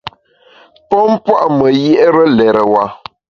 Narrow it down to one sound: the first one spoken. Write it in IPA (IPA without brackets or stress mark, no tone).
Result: p